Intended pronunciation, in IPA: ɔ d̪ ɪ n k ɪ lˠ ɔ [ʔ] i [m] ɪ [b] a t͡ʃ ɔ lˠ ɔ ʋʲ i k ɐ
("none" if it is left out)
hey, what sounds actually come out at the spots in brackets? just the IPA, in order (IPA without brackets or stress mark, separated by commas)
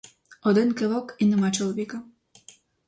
k, n, m